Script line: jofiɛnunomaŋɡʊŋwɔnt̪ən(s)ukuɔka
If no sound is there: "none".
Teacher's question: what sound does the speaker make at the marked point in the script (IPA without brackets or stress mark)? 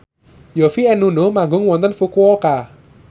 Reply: f